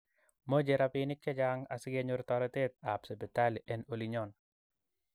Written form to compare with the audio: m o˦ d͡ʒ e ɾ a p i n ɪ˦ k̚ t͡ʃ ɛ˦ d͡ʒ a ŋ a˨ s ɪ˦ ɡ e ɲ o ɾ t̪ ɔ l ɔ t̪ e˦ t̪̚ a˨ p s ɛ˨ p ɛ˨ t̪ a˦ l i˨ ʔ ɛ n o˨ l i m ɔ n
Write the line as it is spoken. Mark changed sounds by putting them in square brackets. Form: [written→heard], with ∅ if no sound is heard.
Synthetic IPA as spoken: m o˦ d͡ʒ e ɾ a p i n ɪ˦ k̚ t͡ʃ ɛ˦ d͡ʒ a ŋ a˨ s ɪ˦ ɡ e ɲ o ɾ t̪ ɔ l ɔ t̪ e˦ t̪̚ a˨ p s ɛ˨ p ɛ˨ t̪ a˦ l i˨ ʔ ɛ n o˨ l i [m→ɲ] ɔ n